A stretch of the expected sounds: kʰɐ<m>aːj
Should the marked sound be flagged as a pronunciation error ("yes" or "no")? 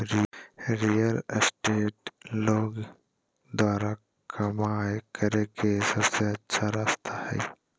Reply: no